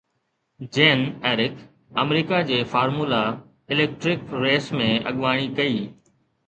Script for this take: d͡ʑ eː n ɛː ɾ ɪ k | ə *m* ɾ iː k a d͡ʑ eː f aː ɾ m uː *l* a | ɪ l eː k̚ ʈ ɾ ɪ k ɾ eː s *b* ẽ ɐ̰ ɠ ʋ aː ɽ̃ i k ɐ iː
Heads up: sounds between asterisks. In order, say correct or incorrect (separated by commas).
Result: correct, correct, incorrect